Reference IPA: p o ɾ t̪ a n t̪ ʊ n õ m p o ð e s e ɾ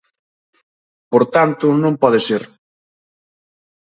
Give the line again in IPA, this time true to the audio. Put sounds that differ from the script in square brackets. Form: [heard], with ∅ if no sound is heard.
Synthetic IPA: p o ɾ t̪ a n t̪ ʊ n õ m p [ɔ] ð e s e ɾ